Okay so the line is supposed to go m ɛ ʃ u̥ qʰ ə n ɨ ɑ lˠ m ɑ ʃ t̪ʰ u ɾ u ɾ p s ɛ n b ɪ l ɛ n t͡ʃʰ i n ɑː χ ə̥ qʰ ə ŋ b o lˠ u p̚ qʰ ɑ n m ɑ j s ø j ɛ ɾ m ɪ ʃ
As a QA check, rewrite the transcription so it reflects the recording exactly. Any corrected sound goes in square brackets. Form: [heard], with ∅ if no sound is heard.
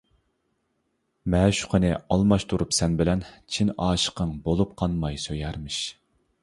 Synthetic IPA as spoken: m ɛ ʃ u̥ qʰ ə n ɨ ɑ lˠ m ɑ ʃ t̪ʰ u ɾ u [∅] p s ɛ n b ɪ l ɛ n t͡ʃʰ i n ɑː [ʃ] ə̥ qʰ ə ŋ b o lˠ u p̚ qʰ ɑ n m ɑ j s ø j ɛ ɾ m ɪ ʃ